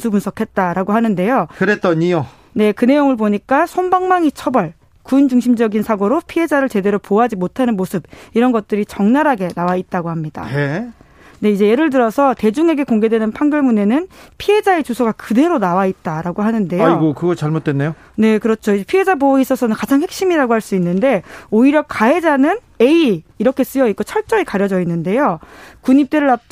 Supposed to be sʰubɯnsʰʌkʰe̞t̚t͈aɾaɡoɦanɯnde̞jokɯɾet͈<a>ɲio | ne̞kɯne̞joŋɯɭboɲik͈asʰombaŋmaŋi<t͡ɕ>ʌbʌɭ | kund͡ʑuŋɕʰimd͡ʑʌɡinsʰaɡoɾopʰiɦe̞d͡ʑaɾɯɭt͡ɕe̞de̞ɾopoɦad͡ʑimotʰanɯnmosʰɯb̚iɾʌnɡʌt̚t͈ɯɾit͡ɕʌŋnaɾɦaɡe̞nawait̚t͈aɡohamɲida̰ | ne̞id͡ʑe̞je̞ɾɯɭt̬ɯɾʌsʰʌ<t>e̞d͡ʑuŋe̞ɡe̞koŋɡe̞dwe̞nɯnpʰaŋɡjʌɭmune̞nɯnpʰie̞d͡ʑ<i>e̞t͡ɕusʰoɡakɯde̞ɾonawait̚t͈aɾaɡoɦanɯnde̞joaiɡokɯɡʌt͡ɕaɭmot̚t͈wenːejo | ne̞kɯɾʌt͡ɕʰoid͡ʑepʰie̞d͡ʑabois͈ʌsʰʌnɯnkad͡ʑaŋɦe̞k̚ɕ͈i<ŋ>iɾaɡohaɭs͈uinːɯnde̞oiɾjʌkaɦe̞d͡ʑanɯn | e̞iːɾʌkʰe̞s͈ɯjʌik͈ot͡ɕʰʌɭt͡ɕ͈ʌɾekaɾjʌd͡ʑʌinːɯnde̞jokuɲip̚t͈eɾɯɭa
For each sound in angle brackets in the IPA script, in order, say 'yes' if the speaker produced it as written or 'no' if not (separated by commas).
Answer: no, no, yes, no, no